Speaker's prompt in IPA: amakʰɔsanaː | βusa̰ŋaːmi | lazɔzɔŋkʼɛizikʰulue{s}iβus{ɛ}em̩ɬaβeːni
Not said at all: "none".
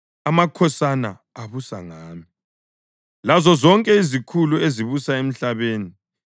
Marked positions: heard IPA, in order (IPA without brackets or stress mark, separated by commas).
z, a